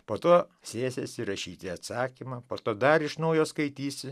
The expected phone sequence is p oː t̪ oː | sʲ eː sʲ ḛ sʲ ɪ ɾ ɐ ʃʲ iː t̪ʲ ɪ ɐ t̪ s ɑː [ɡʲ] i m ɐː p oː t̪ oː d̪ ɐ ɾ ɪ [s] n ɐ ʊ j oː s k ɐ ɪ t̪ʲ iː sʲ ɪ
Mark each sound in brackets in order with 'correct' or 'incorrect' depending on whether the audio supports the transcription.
incorrect: kʲ, incorrect: ʃ

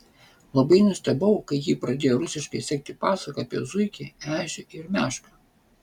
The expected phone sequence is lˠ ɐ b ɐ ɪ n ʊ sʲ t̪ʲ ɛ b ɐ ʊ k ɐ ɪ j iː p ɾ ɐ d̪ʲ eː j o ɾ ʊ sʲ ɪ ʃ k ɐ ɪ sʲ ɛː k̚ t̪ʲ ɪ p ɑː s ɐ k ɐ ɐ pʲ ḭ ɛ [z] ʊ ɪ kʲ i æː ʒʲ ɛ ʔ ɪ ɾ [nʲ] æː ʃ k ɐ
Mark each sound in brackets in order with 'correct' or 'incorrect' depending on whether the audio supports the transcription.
correct, incorrect: mʲ

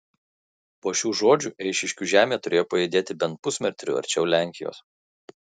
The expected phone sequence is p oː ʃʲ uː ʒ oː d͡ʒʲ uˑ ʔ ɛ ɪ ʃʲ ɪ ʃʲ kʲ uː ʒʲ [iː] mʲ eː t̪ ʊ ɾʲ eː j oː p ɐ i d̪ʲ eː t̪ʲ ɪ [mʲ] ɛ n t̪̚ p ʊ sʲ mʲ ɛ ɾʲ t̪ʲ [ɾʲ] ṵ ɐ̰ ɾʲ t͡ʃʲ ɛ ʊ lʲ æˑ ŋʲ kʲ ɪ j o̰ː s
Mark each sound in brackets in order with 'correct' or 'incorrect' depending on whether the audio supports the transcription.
incorrect: æː, incorrect: bʲ, correct

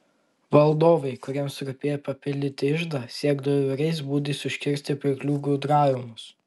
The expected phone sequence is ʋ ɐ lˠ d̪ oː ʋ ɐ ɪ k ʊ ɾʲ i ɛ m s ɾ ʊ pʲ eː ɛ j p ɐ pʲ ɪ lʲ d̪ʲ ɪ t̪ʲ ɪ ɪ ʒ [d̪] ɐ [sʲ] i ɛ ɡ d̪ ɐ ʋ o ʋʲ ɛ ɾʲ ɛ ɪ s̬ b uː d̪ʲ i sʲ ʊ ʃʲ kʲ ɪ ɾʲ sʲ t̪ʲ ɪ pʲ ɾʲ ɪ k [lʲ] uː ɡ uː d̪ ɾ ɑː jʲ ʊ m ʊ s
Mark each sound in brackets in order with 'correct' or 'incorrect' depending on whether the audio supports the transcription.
correct, correct, correct

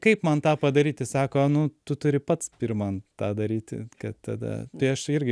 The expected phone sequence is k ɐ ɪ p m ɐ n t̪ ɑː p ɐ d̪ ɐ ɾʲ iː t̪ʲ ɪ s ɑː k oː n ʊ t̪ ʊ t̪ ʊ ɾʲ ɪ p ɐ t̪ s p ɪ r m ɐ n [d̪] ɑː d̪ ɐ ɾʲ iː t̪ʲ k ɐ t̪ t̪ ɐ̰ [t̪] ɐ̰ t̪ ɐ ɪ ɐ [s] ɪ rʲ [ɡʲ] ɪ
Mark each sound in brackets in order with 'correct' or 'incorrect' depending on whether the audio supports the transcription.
incorrect: t̪, incorrect: d̪, incorrect: ʃ, correct

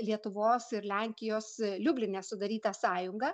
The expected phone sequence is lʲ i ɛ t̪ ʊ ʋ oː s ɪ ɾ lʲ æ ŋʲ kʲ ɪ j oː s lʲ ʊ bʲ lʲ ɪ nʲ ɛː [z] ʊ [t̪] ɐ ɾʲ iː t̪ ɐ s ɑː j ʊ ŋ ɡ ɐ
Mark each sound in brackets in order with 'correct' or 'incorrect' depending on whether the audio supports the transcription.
incorrect: s, incorrect: d̪

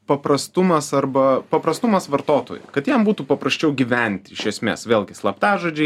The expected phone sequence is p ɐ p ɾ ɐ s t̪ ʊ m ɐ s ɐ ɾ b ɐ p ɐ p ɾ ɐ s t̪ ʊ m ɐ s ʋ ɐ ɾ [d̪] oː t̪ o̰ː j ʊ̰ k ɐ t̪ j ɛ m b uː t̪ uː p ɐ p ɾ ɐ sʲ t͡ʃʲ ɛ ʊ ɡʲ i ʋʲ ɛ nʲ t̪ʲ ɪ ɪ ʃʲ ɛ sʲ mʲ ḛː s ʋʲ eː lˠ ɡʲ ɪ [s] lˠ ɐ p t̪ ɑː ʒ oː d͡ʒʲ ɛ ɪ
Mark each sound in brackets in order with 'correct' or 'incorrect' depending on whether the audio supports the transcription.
incorrect: t̪, correct

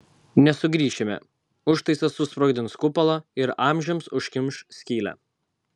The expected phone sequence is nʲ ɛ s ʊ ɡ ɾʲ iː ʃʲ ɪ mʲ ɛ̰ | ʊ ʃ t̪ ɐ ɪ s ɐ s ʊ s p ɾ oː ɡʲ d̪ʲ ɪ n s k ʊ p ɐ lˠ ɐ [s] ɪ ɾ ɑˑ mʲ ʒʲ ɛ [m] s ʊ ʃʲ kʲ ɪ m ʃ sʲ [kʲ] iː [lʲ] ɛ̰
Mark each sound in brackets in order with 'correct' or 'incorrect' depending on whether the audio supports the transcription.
incorrect: none, correct, correct, correct

